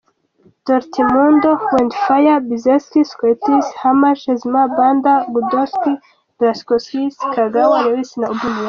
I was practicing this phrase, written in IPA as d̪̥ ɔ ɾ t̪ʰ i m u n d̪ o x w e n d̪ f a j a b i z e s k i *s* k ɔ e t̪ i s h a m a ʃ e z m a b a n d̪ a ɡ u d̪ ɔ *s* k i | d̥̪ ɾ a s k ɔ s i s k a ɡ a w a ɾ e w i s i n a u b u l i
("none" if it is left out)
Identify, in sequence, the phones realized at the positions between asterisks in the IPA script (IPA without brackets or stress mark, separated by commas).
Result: s, s